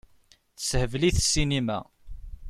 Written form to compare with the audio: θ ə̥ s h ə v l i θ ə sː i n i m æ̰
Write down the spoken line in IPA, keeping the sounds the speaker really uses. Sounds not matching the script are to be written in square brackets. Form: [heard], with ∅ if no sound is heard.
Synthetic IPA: θ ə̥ s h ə v l i θ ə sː i n i m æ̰